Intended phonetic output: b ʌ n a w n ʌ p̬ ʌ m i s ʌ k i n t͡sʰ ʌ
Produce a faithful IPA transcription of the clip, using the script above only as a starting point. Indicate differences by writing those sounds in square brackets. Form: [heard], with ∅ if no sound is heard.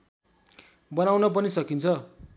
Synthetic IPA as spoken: b ʌ n a w n ʌ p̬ ʌ [n] i s ʌ k i n t͡sʰ ʌ

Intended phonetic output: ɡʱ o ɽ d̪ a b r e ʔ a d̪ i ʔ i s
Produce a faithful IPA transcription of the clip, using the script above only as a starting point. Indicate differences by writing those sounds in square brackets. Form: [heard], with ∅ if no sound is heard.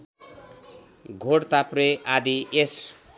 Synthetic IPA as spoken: ɡʱ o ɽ [t̪] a [p] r e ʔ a d̪ i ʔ [e] s

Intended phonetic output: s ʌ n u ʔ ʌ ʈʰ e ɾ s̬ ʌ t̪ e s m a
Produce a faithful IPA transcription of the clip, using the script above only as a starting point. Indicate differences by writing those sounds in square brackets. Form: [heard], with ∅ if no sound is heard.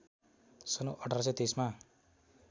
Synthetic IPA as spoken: s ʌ n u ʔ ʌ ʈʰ [a] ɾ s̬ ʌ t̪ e s m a

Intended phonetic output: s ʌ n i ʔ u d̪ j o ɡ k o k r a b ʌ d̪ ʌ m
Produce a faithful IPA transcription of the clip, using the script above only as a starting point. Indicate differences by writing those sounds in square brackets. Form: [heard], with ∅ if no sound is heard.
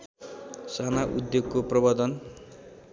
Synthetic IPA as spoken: s [a] n [a] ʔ u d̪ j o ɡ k o [p] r [ʌ] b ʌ d̪ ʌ [n]

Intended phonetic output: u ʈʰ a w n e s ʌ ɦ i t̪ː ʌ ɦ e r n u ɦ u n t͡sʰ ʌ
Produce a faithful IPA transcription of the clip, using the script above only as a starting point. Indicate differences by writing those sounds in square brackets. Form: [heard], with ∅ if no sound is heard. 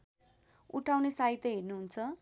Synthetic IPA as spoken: u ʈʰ a w n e s [a] ɦ i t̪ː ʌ ɦ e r n u ɦ u n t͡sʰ ʌ

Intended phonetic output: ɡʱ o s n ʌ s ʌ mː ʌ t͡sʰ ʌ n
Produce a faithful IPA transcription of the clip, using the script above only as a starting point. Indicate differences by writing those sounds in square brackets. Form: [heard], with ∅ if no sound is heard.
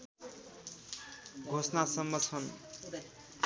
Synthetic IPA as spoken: ɡʱ o s n [a] s ʌ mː ʌ t͡sʰ ʌ n

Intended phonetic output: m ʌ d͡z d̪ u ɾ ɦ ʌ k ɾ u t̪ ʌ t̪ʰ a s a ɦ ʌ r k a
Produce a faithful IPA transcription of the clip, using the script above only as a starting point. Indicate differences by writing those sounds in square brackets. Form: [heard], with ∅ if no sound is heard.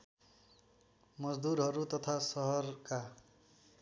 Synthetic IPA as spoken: m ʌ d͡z d̪ u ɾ ɦ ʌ [∅] ɾ u t̪ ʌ t̪ʰ a s [ʌ] ɦ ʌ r k a

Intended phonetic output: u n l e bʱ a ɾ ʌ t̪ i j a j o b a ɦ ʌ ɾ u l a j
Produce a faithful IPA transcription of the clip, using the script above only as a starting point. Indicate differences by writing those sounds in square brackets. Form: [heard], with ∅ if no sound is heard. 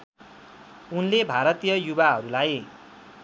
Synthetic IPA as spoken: u n l e bʱ a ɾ ʌ t̪ i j [ʌ] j [u] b a ɦ ʌ ɾ u l a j

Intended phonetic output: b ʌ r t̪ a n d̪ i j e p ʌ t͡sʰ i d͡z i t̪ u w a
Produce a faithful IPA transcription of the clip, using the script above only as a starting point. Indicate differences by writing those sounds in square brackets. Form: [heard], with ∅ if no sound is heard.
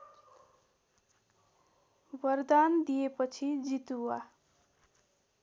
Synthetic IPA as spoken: b ʌ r [d̪] a n d̪ i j e p ʌ t͡sʰ i d͡z i t̪ u w a

